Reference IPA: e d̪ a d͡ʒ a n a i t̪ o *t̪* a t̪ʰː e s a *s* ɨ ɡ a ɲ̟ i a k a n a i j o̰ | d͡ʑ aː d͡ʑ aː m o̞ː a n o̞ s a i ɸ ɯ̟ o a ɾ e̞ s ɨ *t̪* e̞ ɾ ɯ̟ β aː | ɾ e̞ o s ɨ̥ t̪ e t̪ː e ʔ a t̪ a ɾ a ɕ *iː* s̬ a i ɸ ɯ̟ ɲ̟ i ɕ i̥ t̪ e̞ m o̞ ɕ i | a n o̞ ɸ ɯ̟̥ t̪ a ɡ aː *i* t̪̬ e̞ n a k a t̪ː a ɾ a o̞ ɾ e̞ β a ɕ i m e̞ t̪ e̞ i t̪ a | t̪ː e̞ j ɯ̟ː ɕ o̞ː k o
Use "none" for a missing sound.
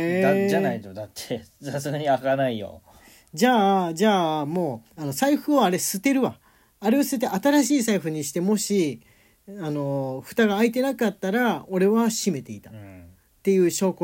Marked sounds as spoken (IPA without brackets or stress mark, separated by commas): d̪, s, t̪, iː, i